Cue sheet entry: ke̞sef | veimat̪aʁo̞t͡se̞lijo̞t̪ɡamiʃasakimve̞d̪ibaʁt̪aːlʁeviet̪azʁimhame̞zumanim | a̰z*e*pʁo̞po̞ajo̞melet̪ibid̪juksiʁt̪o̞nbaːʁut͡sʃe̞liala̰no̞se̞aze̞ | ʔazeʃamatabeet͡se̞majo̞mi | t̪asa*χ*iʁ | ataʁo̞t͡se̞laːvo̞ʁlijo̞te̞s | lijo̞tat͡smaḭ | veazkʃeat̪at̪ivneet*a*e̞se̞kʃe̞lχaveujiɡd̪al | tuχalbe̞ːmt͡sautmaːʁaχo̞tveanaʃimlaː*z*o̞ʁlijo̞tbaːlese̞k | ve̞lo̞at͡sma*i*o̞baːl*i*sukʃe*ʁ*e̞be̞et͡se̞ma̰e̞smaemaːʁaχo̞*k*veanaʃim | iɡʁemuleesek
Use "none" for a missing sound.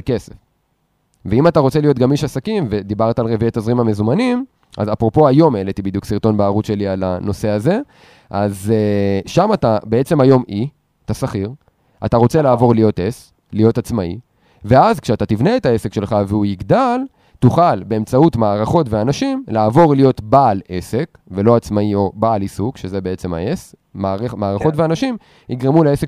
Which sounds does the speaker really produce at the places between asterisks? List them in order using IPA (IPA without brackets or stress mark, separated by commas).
a, χ, a, v, i, i, z, t